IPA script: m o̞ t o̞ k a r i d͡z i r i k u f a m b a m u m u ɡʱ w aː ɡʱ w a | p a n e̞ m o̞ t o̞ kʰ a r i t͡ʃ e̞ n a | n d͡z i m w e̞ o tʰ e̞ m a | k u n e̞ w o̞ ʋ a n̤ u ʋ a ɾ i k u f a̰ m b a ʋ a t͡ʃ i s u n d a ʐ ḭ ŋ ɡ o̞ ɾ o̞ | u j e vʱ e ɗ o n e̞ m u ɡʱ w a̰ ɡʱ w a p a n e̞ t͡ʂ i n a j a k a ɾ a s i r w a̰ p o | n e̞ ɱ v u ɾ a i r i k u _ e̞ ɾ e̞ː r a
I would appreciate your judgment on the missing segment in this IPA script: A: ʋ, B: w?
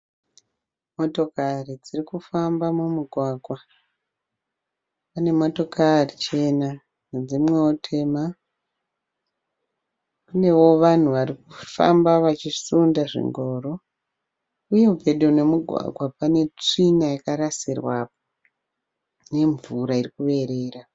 A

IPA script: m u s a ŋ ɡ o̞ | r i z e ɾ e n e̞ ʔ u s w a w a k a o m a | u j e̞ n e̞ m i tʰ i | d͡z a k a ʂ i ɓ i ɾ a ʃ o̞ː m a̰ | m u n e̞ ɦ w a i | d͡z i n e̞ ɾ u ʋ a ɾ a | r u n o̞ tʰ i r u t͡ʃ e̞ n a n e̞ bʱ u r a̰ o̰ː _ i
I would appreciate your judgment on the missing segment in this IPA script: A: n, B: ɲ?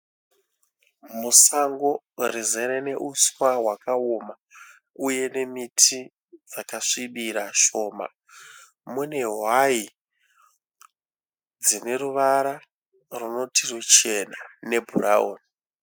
A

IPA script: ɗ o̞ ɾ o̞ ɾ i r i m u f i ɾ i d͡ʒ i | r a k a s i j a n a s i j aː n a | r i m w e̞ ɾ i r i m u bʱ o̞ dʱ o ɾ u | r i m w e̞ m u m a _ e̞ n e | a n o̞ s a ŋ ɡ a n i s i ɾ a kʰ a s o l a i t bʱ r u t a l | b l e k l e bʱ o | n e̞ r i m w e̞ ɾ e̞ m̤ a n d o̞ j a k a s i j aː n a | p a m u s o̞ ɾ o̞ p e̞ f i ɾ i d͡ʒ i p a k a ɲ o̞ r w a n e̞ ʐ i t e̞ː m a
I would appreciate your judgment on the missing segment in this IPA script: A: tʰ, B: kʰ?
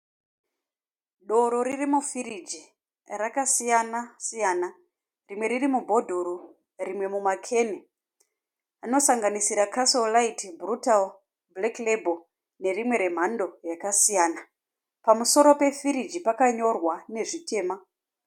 B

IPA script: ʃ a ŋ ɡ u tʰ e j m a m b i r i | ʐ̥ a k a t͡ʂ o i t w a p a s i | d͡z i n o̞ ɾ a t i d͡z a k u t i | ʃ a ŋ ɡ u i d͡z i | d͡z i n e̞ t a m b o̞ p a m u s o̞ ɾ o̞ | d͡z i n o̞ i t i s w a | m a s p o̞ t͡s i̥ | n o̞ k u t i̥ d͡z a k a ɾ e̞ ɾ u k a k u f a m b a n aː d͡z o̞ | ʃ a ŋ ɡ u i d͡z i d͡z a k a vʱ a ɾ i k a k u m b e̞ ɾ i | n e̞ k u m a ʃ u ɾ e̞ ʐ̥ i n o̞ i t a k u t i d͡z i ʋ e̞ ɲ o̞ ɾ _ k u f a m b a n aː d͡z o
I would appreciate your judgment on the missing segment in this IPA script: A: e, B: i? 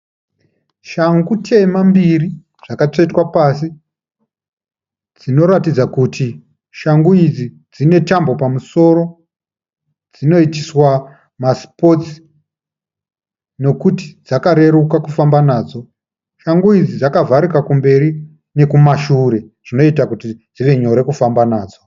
A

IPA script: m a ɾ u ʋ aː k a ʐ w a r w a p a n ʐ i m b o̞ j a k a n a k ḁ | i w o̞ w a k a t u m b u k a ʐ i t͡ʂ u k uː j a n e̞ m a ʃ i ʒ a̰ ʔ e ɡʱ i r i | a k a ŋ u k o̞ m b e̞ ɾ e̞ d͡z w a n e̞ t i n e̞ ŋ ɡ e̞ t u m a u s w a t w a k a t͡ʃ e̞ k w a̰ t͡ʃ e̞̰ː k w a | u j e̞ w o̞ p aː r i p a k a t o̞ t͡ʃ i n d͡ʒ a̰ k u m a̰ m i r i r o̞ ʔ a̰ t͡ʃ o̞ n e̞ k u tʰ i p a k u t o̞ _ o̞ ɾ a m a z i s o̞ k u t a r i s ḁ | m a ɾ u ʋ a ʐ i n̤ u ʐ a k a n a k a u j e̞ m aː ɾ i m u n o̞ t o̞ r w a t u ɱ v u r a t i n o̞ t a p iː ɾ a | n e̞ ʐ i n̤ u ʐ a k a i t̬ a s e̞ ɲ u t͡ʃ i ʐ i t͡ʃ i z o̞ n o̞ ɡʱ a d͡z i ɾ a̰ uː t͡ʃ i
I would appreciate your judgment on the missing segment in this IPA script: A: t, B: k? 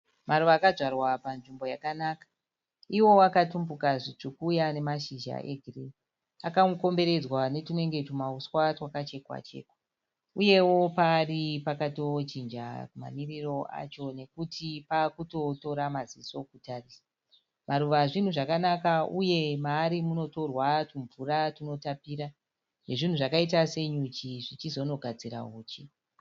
A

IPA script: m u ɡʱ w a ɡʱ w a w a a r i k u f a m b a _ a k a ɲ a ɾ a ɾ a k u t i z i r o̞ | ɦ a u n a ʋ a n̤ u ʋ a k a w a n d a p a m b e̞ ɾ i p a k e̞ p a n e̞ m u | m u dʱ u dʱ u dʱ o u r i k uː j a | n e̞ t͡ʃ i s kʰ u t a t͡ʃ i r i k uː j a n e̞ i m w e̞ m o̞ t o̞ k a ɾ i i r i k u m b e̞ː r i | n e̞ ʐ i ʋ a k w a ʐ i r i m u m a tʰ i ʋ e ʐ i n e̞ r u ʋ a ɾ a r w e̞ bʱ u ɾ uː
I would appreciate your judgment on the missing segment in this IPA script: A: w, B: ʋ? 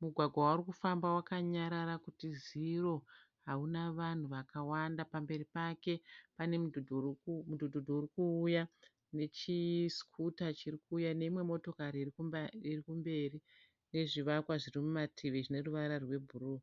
A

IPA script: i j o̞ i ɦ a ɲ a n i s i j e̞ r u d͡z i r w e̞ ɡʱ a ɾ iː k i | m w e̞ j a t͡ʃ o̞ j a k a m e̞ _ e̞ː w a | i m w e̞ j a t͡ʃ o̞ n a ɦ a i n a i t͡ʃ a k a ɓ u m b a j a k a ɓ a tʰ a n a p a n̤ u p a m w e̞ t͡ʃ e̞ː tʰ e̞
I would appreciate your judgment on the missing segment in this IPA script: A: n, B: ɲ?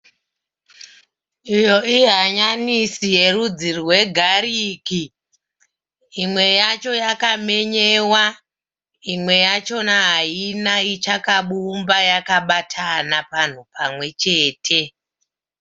B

